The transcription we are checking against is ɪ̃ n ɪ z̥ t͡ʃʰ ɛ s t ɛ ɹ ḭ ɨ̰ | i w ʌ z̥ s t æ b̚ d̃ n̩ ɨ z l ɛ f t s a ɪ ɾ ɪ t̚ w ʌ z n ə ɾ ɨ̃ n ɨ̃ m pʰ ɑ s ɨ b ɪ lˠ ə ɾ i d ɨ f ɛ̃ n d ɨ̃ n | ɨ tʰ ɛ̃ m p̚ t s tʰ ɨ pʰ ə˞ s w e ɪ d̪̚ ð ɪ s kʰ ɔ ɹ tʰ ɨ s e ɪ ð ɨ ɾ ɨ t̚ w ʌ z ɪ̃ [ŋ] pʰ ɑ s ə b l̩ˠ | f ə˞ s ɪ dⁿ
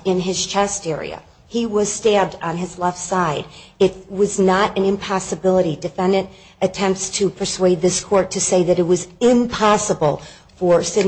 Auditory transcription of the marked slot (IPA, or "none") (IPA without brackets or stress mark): m